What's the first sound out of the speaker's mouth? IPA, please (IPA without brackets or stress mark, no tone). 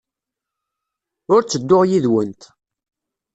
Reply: ʊ